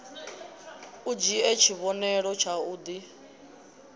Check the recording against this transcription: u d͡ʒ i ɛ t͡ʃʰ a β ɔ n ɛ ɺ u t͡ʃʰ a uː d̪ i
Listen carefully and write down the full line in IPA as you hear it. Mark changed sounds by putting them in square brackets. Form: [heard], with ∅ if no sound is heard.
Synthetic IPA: u d͡ʒ i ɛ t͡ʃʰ [i] β ɔ n ɛ ɺ [ɔ] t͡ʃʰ a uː d̪ i